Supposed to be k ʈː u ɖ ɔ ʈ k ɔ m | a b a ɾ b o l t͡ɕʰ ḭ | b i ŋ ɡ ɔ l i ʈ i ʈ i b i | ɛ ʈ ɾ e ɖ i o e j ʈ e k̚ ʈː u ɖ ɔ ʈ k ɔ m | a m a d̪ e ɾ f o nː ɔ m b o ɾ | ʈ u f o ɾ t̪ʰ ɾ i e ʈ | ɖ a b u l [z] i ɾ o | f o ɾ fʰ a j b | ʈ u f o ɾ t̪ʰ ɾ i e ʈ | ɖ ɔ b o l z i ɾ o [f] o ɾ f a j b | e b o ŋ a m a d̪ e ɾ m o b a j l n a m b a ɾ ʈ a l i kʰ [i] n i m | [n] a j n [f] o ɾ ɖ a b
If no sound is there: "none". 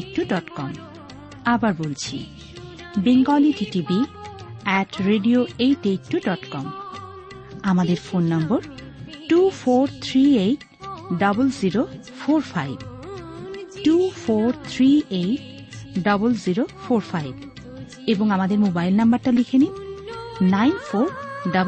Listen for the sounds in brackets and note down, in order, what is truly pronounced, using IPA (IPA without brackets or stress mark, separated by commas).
z, f, e, n, f